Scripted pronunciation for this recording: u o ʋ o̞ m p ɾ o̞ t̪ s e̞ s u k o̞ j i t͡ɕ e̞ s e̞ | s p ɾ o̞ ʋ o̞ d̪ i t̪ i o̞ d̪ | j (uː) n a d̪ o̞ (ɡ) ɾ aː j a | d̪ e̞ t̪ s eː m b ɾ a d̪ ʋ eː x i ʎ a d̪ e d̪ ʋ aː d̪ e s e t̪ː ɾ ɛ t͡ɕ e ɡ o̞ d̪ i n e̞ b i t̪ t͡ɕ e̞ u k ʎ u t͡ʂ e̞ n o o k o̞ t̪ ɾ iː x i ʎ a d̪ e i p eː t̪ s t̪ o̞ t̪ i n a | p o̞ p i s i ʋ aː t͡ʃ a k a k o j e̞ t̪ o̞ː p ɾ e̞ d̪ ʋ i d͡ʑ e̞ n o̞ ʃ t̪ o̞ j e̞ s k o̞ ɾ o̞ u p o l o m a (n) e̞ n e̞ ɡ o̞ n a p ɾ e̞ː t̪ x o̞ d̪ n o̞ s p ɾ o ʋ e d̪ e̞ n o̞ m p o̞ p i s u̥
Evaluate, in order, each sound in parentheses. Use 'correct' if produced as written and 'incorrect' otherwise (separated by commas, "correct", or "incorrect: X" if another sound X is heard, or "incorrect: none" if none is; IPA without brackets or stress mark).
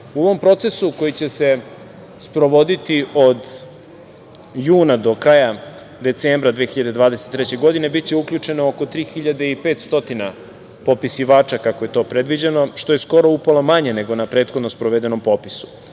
correct, incorrect: k, incorrect: ɲ